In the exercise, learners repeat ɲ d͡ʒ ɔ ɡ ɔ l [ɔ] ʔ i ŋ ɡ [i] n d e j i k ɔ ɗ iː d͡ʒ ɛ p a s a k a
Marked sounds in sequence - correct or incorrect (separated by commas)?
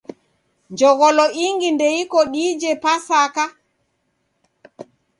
correct, correct